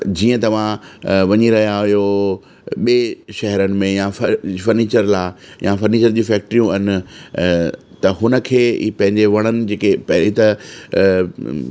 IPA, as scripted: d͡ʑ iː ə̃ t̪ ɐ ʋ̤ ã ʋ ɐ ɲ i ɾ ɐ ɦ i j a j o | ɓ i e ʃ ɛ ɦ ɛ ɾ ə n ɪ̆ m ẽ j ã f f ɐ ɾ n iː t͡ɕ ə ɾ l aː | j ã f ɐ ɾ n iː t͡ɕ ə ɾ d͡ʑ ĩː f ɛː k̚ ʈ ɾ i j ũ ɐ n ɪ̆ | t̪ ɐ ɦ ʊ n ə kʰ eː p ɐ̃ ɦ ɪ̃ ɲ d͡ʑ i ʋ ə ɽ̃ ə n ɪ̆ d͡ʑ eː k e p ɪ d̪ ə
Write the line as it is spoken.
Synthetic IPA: d͡ʑ iː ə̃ t̪ ɐ ʋ̤ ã ʋ ɐ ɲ i ɾ ɐ ɦ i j a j o | ɓ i e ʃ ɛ ɦ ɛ ɾ ə n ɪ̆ m ẽ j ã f f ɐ ɾ n iː t͡ɕ ə ɾ l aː | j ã f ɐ ɾ n iː t͡ɕ ə ɾ d͡ʑ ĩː f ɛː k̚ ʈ ɾ i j ũ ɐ n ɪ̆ | t̪ ɐ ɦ ʊ n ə kʰ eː p ɐ̃ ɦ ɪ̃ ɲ d͡ʑ e ʋ ɐ ɽ̃ ə n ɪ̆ d͡ʑ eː k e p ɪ t̪ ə